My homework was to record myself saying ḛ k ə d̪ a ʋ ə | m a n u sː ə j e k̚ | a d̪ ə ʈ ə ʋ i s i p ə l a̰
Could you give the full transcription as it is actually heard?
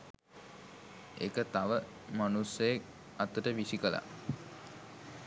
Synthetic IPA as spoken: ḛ k ə t̪ a ʋ ə | m a n u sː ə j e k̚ | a t̪ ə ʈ ə ʋ i s i k ə l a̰